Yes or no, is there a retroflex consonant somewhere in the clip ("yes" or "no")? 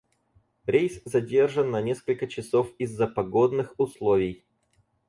yes